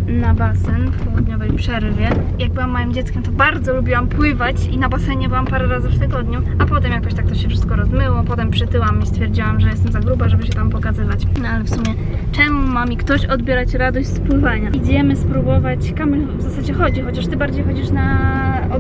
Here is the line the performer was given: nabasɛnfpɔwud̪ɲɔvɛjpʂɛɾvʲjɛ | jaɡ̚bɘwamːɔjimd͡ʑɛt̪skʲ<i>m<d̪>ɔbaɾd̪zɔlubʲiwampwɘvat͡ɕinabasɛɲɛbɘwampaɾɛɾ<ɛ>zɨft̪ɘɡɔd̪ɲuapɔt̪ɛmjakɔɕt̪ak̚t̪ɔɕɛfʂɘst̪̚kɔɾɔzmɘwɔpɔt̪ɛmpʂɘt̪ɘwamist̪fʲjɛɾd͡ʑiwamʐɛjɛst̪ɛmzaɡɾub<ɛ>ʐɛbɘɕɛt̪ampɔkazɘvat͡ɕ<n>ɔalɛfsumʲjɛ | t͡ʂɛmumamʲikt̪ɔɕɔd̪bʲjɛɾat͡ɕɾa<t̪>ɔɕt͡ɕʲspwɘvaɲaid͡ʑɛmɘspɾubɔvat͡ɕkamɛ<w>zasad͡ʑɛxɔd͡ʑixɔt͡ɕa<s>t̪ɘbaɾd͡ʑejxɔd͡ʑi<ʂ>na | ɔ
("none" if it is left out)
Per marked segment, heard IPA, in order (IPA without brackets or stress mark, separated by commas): ɛ, t̪, a, a, n, d̪, v, ʂ, ʂ